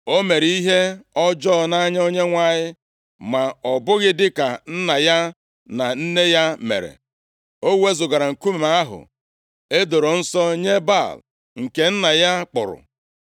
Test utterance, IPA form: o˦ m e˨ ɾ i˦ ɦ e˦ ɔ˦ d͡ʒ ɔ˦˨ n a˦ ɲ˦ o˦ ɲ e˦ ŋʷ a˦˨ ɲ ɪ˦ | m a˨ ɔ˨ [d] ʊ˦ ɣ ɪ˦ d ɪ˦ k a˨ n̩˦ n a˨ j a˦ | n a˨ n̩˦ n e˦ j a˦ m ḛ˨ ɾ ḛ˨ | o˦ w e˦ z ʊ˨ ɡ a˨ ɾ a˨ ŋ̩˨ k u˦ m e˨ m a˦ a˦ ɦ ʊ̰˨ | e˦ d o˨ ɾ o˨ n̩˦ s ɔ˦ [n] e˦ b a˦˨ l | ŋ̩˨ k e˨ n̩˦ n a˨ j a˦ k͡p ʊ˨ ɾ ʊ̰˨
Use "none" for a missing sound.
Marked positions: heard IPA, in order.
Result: b, ɲ

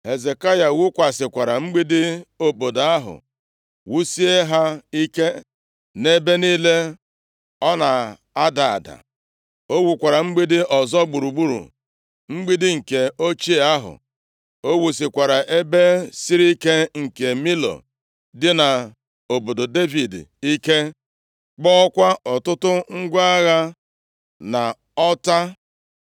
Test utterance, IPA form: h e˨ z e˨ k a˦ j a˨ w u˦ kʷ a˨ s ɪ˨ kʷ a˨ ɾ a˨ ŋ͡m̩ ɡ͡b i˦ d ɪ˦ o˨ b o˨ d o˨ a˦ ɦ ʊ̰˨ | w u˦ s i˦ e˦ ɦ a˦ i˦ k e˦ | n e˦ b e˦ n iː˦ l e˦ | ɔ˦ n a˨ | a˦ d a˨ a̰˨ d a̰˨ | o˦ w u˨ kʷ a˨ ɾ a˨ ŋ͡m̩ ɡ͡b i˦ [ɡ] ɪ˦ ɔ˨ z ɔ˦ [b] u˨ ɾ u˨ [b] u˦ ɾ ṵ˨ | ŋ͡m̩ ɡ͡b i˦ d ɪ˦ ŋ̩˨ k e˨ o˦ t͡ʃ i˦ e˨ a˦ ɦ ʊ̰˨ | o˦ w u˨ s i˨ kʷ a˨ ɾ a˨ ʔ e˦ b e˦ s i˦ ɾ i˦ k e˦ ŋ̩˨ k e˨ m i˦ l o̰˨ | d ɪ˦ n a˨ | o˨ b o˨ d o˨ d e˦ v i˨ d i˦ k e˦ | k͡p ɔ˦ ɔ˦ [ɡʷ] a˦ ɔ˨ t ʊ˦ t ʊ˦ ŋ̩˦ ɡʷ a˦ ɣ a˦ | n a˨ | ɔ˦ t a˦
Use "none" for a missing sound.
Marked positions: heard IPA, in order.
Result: d, ɡ͡b, ɡ͡b, kʷ

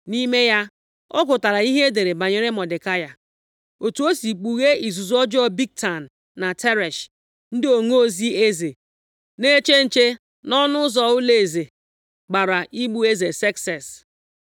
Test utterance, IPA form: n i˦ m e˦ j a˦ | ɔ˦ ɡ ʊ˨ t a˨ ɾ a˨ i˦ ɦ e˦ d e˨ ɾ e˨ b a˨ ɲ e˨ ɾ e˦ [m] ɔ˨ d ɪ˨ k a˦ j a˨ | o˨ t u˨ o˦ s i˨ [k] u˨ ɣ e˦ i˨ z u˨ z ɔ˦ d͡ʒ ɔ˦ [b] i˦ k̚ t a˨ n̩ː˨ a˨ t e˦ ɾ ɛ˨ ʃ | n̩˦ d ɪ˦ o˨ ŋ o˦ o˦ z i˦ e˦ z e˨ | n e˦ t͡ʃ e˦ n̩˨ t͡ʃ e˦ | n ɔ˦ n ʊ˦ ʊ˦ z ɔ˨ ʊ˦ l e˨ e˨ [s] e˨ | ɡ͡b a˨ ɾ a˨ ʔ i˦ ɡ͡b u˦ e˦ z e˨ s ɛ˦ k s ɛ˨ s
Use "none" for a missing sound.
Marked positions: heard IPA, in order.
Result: m, k͡p, b, z

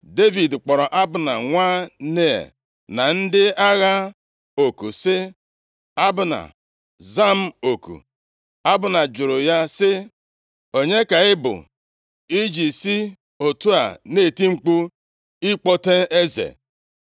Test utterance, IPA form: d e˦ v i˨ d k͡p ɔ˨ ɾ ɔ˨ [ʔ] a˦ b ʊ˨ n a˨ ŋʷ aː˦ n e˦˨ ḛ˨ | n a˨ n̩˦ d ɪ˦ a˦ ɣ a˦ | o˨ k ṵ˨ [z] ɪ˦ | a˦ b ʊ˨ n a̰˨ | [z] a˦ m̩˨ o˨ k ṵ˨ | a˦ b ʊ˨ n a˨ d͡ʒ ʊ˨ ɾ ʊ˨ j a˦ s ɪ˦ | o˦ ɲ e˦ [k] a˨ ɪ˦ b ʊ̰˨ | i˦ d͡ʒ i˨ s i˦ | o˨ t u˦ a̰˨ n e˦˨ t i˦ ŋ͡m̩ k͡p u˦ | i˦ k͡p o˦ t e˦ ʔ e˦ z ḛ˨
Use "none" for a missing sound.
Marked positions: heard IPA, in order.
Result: ʔ, s, z, k

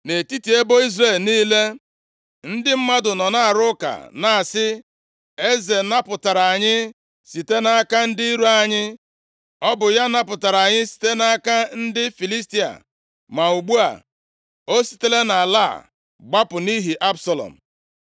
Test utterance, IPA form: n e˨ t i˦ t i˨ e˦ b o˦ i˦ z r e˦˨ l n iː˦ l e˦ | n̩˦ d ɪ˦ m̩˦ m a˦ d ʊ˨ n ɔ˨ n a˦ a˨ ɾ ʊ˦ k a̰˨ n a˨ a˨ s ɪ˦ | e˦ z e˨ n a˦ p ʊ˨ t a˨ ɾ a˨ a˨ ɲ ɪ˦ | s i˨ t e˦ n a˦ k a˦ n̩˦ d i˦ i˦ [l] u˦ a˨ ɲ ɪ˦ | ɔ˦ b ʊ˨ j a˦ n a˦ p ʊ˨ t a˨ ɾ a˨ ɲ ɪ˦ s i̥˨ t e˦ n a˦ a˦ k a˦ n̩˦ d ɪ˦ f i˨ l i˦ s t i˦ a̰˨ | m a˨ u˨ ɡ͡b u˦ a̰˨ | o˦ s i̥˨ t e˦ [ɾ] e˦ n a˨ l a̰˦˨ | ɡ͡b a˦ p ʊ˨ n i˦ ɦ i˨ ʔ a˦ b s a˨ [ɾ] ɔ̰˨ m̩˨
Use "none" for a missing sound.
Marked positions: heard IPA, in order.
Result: ɾ, l, l

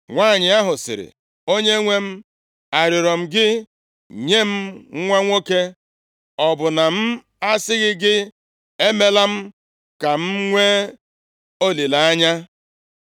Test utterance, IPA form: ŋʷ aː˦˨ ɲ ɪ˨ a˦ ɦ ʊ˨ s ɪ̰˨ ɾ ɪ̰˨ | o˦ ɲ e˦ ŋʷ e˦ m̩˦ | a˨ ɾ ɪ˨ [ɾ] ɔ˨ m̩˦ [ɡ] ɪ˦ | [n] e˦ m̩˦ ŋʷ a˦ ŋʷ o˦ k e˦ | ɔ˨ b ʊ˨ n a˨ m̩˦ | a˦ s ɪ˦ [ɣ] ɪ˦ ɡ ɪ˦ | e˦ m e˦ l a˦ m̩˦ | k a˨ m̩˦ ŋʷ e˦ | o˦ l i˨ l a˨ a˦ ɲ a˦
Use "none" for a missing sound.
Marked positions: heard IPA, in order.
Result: ɾ, ɡ, ɲ, ɣ

